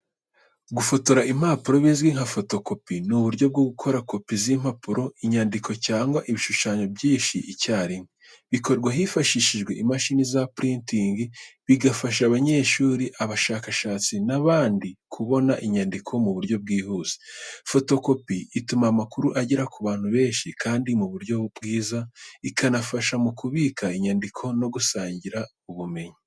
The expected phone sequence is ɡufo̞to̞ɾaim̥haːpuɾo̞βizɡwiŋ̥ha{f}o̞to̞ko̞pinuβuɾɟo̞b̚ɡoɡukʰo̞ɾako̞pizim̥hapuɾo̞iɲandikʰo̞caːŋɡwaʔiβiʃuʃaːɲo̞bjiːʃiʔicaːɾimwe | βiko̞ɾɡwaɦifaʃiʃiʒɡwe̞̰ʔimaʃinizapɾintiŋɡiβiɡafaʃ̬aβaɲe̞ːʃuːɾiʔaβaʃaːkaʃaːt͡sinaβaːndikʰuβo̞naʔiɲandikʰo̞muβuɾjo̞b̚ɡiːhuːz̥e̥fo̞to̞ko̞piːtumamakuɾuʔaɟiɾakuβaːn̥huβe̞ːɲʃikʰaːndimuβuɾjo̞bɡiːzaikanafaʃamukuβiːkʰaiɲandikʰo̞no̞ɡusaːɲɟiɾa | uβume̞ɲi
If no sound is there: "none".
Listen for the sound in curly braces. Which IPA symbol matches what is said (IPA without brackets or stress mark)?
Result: f